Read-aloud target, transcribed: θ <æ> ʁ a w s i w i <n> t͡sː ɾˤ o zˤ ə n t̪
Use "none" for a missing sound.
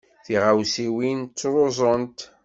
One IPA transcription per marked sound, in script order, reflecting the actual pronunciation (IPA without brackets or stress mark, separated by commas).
i, n